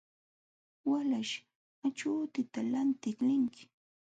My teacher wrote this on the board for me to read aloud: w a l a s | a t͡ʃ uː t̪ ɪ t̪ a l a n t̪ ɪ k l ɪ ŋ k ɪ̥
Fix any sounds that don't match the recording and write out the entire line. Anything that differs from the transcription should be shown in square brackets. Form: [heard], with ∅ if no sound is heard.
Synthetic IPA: w a l a [ʃ] | a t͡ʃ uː t̪ ɪ t̪ a l a n t̪ ɪ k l ɪ ŋ k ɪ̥